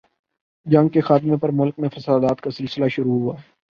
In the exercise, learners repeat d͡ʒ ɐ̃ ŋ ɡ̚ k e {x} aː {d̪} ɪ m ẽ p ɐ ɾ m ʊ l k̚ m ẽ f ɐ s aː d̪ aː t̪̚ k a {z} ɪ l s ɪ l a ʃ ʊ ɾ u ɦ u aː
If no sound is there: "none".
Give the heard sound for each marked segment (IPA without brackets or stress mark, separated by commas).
x, t̪, s